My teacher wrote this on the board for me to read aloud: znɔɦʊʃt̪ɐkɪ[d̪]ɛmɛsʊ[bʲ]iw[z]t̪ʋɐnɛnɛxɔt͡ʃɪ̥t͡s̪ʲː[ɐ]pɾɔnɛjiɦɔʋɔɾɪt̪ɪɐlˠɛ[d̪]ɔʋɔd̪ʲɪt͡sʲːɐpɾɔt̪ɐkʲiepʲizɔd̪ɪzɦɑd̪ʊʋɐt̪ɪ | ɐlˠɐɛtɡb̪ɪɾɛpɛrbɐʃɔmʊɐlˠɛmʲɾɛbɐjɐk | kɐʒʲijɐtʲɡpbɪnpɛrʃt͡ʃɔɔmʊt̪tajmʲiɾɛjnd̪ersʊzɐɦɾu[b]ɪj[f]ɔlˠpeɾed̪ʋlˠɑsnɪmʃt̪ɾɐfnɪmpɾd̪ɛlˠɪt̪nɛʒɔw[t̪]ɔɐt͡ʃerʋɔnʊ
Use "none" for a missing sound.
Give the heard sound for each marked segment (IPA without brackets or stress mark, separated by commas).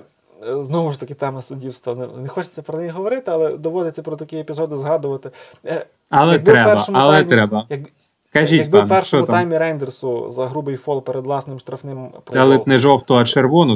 t̪, dʲ, s, ɐ, d̪, b, f, t̪